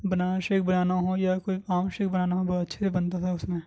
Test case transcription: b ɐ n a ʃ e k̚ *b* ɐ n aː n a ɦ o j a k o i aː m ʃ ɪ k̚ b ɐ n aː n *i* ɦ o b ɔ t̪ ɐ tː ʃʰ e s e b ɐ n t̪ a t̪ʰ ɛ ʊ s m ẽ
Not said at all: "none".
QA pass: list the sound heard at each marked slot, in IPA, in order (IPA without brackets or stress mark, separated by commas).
b, a